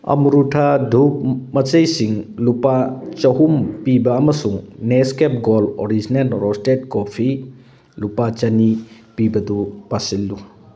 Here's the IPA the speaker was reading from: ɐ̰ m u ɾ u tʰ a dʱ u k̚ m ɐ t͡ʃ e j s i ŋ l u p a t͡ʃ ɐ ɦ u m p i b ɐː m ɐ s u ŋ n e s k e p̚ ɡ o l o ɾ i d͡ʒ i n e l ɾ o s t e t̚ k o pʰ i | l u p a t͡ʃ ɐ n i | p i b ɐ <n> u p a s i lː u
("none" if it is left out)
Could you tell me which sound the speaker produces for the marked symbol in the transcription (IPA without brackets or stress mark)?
d